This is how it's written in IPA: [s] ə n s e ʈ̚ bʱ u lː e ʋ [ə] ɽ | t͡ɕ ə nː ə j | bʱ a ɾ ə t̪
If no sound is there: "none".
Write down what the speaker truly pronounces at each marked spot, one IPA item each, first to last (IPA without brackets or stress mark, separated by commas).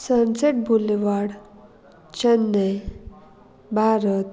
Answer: s, a